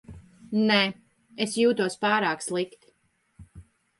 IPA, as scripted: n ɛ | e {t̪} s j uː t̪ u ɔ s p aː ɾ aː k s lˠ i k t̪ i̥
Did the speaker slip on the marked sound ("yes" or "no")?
yes